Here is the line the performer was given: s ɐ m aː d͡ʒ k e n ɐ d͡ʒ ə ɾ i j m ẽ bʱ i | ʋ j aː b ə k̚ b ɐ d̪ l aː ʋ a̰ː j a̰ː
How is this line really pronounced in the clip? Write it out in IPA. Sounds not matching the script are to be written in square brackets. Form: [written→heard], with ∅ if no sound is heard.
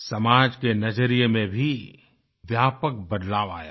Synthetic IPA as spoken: s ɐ m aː d͡ʒ k e n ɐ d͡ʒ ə ɾ i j m ẽ bʱ i | ʋ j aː [b→p] ə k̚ b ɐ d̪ l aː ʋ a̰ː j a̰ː

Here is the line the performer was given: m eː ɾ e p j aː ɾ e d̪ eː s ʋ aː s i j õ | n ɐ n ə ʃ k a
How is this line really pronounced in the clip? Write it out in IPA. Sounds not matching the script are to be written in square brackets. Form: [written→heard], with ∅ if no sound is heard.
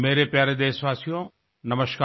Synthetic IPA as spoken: m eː ɾ e p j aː ɾ e d̪ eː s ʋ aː s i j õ | n ɐ [n→m] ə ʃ k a

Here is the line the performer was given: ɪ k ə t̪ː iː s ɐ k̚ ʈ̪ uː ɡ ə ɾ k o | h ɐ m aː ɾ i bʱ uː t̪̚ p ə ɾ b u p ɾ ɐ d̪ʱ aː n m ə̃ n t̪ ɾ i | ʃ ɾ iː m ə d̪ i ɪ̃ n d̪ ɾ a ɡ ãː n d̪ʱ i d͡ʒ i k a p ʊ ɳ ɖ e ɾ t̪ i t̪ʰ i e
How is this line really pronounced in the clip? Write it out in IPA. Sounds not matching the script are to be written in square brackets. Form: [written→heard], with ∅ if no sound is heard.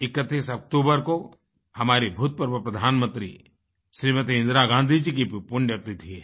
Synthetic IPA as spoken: ɪ k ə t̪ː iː s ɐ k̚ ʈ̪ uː [ɡ→b] ə ɾ k o | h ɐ m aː ɾ i bʱ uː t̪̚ p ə ɾ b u p ɾ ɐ d̪ʱ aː n m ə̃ n t̪ ɾ i | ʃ ɾ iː m ə [d̪→t̪] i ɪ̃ n d̪ ɾ a ɡ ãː n d̪ʱ i d͡ʒ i k [a→i] p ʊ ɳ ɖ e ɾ t̪ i t̪ʰ i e

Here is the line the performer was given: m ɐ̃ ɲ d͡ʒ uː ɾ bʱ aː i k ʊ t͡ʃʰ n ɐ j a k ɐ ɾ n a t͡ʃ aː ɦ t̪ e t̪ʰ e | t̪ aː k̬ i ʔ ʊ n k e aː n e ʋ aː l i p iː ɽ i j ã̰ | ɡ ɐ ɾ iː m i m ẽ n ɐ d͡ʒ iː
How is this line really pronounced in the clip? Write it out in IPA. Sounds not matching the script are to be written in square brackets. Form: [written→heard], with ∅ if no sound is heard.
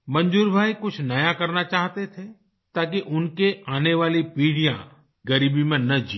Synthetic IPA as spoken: m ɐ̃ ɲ d͡ʒ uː ɾ bʱ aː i k ʊ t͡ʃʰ n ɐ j a k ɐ ɾ n a t͡ʃ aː ɦ t̪ e t̪ʰ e | t̪ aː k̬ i ʔ ʊ n k e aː n e ʋ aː l i p iː ɽ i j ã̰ | ɡ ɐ ɾ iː [m→b] i m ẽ n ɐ d͡ʒ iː

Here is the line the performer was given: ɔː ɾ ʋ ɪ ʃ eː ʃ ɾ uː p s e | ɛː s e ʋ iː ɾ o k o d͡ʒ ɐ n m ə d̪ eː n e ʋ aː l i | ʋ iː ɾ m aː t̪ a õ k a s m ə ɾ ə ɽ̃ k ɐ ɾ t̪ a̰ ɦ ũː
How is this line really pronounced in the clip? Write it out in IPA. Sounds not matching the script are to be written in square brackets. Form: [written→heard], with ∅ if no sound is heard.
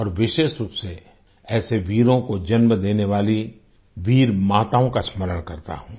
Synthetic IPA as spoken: ɔː ɾ ʋ ɪ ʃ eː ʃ ɾ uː p s e | ɛː s e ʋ iː ɾ [o→õ] k o d͡ʒ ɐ n m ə d̪ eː n e ʋ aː l i | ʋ iː ɾ m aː t̪ a õ k a s m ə ɾ ə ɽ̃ k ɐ ɾ t̪ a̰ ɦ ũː

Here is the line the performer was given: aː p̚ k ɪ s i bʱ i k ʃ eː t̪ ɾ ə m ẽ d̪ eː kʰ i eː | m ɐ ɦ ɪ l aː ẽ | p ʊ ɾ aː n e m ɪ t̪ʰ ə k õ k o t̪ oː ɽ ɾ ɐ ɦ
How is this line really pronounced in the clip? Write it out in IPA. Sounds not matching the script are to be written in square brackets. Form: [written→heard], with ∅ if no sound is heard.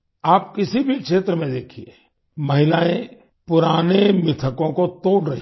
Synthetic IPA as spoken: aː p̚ k ɪ s i bʱ i k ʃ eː t̪ ɾ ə m ẽ d̪ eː kʰ i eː | m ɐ ɦ ɪ l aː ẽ | p ʊ ɾ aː n e m ɪ t̪ʰ ə k õ k o t̪ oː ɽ ɾ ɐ ɦ

